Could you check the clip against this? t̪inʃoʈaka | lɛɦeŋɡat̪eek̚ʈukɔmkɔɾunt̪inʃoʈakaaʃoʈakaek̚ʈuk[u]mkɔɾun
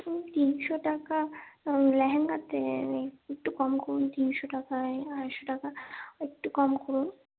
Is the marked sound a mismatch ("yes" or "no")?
yes